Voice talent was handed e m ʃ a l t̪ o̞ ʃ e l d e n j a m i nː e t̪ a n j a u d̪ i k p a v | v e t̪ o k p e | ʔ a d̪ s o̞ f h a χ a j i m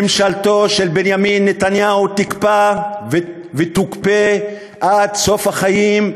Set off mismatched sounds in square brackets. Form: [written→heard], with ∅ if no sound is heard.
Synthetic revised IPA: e m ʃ a l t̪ o̞ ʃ e l [d→b] e n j a m i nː e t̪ a n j a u [d̪→t̪] i k p a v | v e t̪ [o→u] k p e | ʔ a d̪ s o̞ f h a χ a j i m